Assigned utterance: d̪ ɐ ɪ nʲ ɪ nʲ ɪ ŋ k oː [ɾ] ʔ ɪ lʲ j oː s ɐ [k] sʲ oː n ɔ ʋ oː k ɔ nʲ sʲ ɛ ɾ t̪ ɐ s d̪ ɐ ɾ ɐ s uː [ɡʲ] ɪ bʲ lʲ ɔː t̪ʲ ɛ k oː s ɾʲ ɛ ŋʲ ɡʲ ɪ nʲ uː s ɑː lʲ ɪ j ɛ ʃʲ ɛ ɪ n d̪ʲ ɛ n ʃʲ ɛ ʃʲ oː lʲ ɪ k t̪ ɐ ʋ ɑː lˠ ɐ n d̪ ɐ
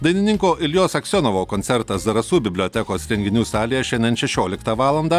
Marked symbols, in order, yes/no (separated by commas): no, yes, no